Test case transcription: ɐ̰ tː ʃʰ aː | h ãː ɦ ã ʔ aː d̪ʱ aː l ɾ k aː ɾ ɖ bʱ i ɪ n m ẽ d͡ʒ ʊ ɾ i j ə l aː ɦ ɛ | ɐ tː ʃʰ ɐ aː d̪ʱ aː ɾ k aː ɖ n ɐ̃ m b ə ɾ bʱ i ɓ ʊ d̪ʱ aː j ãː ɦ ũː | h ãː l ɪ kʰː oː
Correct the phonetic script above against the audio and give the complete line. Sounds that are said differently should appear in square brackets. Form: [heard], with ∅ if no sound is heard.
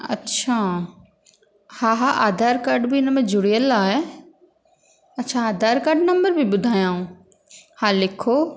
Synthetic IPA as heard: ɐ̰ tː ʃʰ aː | h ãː ɦ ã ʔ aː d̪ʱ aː [∅] ɾ k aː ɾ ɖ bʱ i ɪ n m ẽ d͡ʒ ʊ [ɽ] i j ə l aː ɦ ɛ | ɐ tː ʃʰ [a] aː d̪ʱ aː ɾ k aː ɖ n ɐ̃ m b ə ɾ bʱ i [b] ʊ d̪ʱ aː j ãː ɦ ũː | h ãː l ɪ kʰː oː